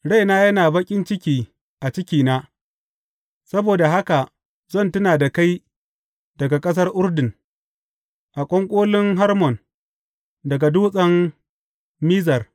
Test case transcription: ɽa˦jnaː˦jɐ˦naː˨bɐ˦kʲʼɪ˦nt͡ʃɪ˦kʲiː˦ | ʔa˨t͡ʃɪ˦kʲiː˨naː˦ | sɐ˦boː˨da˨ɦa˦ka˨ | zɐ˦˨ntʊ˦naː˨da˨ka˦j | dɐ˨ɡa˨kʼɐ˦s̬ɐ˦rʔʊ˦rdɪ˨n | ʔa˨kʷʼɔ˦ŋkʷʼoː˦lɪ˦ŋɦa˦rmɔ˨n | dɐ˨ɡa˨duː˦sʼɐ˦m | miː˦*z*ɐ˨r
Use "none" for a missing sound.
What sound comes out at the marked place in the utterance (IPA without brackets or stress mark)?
z